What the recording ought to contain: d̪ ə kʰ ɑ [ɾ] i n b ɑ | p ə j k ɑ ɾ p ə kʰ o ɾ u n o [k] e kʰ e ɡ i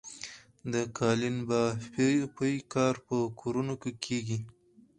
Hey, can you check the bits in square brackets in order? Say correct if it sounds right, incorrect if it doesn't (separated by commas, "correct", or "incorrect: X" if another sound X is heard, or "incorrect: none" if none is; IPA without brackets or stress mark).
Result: incorrect: l, correct